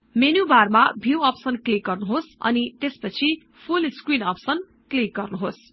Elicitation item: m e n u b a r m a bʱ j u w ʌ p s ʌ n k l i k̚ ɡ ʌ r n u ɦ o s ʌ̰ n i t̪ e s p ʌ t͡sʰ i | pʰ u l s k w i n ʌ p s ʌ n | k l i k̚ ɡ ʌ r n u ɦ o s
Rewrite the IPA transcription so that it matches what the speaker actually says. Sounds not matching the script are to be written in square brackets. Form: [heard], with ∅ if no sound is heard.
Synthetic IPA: m e n u b a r m a bʱ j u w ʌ p s ʌ n k l i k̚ ɡ ʌ r n u ɦ o s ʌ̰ n i t̪ e s p ʌ t͡sʰ i | pʰ u l s k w i n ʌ p s ʌ n | k l i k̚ ɡ ʌ r n u ɦ o s